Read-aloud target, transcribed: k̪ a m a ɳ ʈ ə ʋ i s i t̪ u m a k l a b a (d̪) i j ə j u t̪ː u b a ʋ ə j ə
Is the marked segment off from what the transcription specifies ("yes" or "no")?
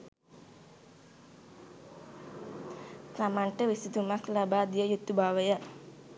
no